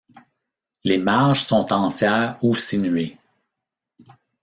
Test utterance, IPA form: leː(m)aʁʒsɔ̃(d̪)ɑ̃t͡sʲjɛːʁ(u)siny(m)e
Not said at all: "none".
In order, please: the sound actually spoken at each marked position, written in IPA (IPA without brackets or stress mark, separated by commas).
m, t̪, u, none